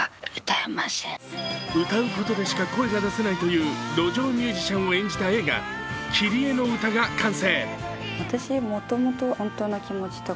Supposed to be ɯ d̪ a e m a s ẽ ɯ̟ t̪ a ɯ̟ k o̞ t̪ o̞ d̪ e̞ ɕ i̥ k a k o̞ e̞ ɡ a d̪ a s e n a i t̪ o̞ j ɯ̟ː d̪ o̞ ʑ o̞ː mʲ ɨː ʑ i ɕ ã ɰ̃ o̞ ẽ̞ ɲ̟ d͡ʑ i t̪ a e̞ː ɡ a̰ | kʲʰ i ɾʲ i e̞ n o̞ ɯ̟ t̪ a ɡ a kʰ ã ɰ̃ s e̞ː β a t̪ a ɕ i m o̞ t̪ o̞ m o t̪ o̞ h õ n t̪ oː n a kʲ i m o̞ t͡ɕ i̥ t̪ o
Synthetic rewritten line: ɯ t̪ a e m a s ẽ ɯ̟ t̪ a ɯ̟ k o̞ t̪ o̞ d̪ e̞ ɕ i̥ k a k o̞ e̞ ɡ a d̪ a s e n a i t̪ o̞ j ɯ̟ː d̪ o̞ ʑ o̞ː mʲ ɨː ʑ i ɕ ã ɰ̃ o̞ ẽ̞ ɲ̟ d͡ʑ i t̪ a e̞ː ɡ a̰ | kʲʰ i ɾʲ i e̞ n o̞ ɯ̟ t̪ a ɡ a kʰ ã ɰ̃ s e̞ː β a t̪ a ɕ i m o̞ t̪ o̞ m o t̪ o̞ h õ n t̪ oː n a kʲ i m o̞ t͡ɕ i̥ t̪ o